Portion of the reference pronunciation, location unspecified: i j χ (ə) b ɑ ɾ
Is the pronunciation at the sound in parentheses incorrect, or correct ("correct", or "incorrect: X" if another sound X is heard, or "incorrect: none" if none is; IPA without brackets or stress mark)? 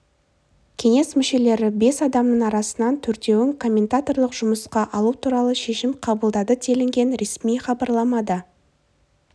incorrect: ɑ